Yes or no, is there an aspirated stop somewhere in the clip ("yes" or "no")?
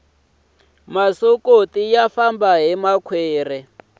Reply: yes